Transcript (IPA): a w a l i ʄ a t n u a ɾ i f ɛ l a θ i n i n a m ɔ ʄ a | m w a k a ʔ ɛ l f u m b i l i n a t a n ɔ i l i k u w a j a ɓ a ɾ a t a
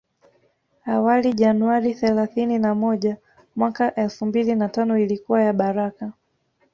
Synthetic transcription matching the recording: a w a l i ʄ a n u a ɾ i θ ɛ l a θ i n i n a m ɔ ʄ a | m w a k a ʔ ɛ l f u m b i l i n a t a n ɔ i l i k u w a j a ɓ a ɾ a k a

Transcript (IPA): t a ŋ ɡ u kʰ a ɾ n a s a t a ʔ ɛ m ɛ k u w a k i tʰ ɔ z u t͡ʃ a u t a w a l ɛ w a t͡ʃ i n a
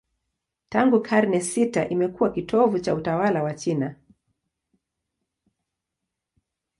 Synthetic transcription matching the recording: t a ŋ ɡ u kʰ a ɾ n ɛ s i t a ʔ i m ɛ k u w a k i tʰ ɔ v u t͡ʃ a u t a w a l a w a t͡ʃ i n a

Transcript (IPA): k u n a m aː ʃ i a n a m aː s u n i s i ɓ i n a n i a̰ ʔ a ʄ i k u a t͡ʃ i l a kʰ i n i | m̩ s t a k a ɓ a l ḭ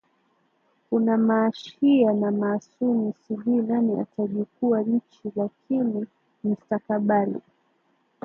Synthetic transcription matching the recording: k u n a m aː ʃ i a n a m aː s u n i s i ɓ i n a n i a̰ t a ʄ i k u a t͡ʃ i l a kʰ i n i | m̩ s t a k a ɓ a l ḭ

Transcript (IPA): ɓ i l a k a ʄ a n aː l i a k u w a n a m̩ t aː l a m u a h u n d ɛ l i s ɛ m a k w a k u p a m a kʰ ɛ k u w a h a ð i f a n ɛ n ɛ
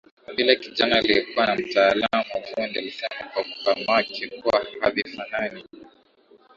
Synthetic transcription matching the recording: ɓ i l a k i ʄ a n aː l i ɛ k u w a n a m̩ t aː l a m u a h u n d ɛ l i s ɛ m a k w a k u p a m a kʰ ɛ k u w a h a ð i f a n a n i

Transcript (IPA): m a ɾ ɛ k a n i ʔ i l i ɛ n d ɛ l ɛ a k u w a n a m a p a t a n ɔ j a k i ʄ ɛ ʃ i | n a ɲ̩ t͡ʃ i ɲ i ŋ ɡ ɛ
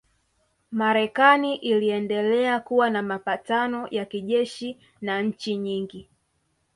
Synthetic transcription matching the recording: m a ɾ ɛ k a n i ʔ i l i ɛ n d ɛ l ɛ a k u w a n a m a p a t a n ɔ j a k i ʄ ɛ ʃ i | n a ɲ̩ t͡ʃ i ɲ i ŋ ɡ i

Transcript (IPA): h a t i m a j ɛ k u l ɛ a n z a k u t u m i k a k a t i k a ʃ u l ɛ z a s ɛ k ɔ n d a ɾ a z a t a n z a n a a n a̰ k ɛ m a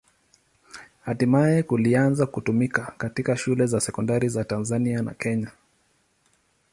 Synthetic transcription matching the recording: h a t i m a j ɛ k u l i a n z a k u t u m i k a k a t i k a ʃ u l ɛ z a s ɛ k ɔ n d a ɾ i z a t a n z a n i a n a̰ k ɛ ɲ a

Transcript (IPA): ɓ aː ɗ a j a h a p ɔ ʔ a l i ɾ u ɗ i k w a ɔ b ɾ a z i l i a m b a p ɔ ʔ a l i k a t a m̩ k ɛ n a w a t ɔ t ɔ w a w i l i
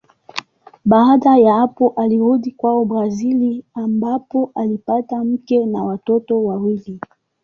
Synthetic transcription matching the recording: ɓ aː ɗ a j a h a p ɔ ʔ a l i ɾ u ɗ i k w a ɔ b ɾ a z i l i a m b a p ɔ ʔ a l i p a t a m̩ k ɛ n a w a t ɔ t ɔ w a w i l i

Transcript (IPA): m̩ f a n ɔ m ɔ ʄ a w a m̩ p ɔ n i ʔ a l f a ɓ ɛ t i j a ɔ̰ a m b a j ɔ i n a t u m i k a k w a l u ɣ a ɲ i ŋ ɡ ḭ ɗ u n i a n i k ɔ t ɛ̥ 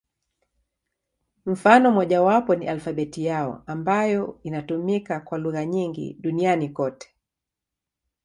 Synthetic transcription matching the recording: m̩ f a n ɔ m ɔ ʄ a w a p ɔ n i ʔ a l f a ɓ ɛ t i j a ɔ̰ a m b a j ɔ i n a t u m i k a k w a l u ɣ a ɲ i ŋ ɡ ḭ ɗ u n i a n i k ɔ t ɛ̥

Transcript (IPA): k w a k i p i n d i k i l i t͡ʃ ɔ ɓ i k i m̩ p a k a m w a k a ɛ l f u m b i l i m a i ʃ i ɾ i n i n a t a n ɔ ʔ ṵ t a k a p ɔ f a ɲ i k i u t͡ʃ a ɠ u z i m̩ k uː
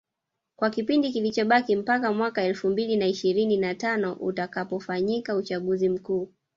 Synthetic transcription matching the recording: k w a k i p i n d i k i l i t͡ʃ ɔ ɓ a k i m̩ p a k a m w a k a ɛ l f u m b i l i n a i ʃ i ɾ i n i n a t a n ɔ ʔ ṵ t a k a p ɔ f a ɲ i k a u t͡ʃ a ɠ u z i m̩ k uː

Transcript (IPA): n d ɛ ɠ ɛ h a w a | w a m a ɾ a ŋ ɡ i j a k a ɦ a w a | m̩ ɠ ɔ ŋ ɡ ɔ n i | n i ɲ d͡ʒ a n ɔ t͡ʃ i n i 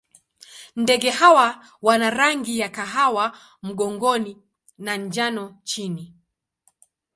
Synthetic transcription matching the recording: n d ɛ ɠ ɛ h a w a | w a n a ɾ a ŋ ɡ i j a k a ɦ a w a | m̩ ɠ ɔ ŋ ɡ ɔ n i | n a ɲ d͡ʒ a n ɔ t͡ʃ i n i

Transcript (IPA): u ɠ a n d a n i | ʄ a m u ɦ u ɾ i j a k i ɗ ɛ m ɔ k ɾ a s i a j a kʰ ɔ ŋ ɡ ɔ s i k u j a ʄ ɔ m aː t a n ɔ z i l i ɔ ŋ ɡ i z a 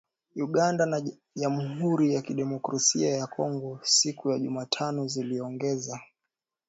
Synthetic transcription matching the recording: u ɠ a n d a n a | ʄ a m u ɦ u ɾ i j a k i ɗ ɛ m ɔ k ɾ a s i a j a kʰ ɔ ŋ ɡ ɔ s i k u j a ʄ u m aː tʰ a n ɔ z i l i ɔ ŋ ɡ ɛ z a

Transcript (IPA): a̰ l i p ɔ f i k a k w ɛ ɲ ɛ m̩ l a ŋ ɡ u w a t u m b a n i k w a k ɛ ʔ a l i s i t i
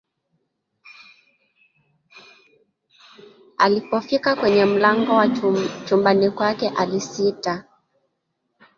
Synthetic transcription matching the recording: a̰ l i p ɔ f i k a k w ɛ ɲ ɛ m̩ l a ŋ ɡ ɔ w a t͡ʃ u m b a n i k w a k ɛ ʔ a l i s i t a

